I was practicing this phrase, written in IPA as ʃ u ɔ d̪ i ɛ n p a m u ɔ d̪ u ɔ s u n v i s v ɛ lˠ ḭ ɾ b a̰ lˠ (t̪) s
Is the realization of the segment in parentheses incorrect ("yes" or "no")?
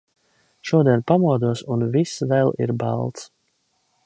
no